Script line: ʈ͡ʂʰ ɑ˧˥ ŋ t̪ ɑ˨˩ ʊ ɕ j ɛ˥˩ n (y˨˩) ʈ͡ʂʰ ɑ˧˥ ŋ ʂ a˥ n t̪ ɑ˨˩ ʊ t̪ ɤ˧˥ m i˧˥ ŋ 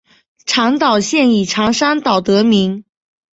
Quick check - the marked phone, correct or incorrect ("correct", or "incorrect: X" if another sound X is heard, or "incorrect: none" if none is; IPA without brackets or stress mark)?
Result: incorrect: i˨˩